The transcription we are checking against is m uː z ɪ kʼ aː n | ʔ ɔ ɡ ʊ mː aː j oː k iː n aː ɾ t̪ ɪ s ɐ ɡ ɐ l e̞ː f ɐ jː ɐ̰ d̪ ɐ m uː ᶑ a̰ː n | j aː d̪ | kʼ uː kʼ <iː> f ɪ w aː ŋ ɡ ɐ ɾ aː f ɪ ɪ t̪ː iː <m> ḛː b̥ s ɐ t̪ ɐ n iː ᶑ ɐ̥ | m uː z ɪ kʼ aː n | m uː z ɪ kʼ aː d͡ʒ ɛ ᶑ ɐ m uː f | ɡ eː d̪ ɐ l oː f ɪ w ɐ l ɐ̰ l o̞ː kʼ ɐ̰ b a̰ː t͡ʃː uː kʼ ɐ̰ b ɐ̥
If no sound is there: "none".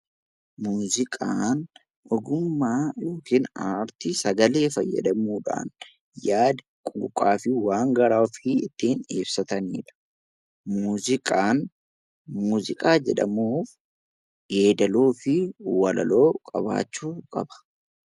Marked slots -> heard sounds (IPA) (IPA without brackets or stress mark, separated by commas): aː, n